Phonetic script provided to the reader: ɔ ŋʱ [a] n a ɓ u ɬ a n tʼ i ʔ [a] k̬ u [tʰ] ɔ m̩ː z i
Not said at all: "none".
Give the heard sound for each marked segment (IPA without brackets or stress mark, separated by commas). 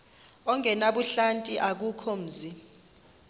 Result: ɛ, a, kʰ